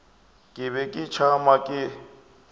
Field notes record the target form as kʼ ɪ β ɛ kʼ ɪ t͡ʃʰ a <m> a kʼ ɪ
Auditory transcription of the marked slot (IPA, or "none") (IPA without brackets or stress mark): m